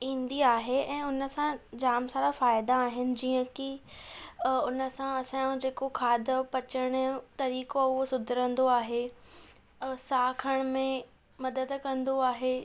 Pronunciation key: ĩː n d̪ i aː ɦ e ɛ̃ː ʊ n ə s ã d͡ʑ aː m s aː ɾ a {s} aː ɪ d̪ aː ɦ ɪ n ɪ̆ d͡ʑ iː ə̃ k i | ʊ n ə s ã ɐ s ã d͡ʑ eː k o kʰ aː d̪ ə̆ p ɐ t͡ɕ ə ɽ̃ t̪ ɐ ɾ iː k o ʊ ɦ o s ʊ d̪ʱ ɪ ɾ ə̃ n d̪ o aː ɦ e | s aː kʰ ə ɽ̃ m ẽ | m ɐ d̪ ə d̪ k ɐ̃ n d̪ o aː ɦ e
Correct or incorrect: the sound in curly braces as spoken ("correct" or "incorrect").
incorrect